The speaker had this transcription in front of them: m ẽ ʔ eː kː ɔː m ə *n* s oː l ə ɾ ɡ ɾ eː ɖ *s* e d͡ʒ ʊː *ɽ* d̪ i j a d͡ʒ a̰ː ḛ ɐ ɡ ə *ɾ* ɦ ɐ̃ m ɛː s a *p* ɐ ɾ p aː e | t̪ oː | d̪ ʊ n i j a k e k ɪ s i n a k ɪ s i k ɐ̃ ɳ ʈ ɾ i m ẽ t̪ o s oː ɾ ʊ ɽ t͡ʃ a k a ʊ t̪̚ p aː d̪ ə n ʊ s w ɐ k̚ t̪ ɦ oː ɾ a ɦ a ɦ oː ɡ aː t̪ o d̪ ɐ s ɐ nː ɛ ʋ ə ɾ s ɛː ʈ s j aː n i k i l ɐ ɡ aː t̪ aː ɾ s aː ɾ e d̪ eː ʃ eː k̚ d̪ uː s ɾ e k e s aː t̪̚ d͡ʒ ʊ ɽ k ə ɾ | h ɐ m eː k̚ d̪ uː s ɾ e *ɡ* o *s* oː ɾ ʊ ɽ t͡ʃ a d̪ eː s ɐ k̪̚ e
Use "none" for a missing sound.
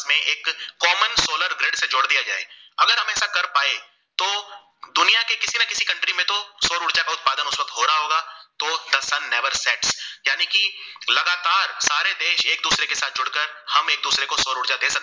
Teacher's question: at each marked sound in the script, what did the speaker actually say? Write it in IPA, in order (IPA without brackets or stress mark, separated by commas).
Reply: n, s, ɽ, ɾ, k, k, s